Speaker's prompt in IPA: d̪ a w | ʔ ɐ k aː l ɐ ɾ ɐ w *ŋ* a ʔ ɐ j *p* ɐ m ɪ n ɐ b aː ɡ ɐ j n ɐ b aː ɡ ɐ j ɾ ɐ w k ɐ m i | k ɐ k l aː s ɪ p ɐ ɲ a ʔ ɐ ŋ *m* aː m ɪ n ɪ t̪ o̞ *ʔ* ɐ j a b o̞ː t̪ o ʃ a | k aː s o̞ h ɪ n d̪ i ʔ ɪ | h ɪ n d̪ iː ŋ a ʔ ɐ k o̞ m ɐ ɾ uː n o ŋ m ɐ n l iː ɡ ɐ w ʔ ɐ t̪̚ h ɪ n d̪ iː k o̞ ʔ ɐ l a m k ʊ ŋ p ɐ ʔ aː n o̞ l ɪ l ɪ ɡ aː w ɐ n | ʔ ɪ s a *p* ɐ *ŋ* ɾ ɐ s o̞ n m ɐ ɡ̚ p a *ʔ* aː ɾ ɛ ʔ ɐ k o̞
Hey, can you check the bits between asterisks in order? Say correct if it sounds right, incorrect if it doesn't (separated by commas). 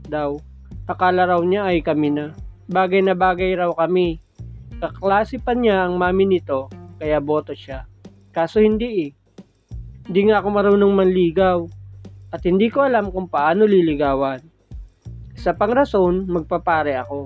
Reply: incorrect, incorrect, correct, incorrect, correct, correct, incorrect